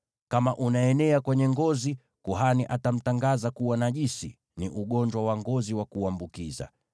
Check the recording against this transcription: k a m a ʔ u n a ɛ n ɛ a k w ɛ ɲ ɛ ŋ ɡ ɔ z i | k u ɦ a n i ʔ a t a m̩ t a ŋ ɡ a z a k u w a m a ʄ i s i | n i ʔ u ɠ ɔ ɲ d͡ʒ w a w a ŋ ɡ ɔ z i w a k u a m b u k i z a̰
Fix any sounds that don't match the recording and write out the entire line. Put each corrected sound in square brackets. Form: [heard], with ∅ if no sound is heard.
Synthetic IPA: k a m a ʔ u n a ɛ n ɛ a k w ɛ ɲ ɛ ŋ ɡ ɔ z i | k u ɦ a n i ʔ a t a m̩ t a ŋ ɡ a z a k u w a [n] a ʄ i s i | n i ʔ u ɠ ɔ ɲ d͡ʒ w a w a ŋ ɡ ɔ z i w a k u a m b u k i z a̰